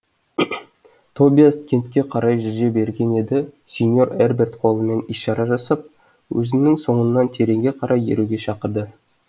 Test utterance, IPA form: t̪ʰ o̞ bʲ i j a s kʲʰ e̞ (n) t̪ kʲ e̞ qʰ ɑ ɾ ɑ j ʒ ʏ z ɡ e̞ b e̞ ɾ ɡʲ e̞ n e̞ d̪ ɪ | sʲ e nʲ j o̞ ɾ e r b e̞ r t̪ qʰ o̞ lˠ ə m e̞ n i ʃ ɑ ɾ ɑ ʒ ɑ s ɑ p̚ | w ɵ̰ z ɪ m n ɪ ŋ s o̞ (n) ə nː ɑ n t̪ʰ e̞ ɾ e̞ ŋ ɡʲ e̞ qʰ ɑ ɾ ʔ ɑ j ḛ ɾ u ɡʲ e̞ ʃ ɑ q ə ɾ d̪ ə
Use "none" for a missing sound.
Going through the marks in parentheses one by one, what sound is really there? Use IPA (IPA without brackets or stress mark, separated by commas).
n, ɴ